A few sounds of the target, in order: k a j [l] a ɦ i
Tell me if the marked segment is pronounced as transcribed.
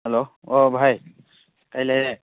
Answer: yes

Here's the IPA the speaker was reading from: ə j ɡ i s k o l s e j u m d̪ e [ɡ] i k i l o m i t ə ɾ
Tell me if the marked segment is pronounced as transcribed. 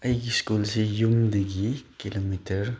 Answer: yes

